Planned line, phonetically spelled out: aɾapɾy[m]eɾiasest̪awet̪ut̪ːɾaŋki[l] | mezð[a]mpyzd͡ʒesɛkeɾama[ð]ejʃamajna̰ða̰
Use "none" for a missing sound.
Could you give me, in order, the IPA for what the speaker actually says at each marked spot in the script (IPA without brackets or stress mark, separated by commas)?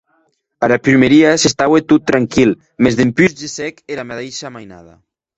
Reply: m, l, e, ð